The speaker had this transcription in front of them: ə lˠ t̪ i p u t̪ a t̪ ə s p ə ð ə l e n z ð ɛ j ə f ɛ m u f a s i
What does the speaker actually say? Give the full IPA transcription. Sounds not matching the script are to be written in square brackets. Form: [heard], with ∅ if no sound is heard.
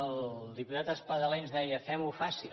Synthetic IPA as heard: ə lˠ [d̪] i p u t̪ a t̪ ə s p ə ð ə l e n z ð ɛ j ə f ɛ m u f a s i